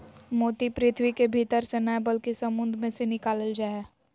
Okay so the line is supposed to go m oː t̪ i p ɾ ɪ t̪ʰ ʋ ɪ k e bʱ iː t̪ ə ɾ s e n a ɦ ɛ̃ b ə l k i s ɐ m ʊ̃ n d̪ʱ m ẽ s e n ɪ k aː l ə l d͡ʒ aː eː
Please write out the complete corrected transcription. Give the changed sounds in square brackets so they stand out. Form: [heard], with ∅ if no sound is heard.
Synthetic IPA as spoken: m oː t̪ i p ɾ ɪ t̪ʰ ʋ [i] k e bʱ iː t̪ ə ɾ s e n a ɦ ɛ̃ b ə l k i s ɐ m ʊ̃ n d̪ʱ m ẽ s e n ɪ k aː l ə l d͡ʒ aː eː

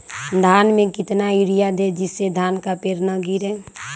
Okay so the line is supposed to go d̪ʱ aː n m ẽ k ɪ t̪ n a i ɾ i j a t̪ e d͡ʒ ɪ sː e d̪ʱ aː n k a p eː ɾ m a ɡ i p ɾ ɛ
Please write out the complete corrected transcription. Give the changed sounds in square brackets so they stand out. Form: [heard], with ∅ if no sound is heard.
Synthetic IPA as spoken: d̪ʱ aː n m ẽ k ɪ t̪ n a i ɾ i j a [d̪] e d͡ʒ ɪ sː e d̪ʱ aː n k a p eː ɾ [n] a ɡ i [∅] ɾ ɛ

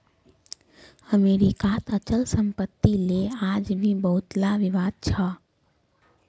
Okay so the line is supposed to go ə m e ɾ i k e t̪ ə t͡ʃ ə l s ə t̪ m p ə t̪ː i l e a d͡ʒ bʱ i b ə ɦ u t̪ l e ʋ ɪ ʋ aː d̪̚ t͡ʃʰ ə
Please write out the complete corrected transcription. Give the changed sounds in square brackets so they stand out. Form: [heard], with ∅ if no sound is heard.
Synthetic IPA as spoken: ə m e ɾ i k [a] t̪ ə t͡ʃ ə l s ə [∅] m p ə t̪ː i l e a d͡ʒ bʱ i b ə ɦ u t̪ l [a] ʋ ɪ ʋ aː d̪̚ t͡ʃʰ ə

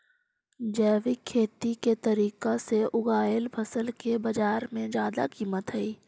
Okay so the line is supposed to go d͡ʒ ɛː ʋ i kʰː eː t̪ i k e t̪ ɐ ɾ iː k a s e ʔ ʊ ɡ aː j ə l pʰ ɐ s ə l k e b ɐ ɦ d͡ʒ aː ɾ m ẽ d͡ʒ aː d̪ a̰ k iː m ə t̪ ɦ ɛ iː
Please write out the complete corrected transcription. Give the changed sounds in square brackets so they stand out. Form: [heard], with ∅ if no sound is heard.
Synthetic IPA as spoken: d͡ʒ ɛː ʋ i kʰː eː t̪ i k e t̪ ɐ ɾ iː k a s e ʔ ʊ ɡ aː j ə l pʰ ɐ s ə l k e b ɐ [∅] d͡ʒ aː ɾ m ẽ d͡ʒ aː d̪ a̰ k iː m ə t̪ ɦ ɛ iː

